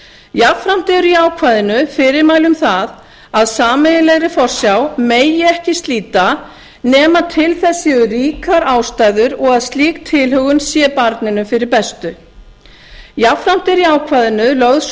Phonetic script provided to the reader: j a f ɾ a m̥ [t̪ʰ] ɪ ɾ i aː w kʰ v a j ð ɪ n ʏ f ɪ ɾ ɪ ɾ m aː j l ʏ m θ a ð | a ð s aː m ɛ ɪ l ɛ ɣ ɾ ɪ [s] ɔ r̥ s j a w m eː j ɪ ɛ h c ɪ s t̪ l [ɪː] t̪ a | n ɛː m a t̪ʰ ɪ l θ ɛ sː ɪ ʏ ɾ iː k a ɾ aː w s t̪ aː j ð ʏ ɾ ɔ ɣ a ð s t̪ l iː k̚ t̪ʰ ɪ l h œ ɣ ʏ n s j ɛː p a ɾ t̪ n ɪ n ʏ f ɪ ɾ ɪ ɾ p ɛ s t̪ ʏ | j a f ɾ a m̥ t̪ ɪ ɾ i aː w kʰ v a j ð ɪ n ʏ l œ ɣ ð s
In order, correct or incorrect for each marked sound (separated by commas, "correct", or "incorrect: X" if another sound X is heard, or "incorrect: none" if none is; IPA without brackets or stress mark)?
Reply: incorrect: t̪, incorrect: f, incorrect: iː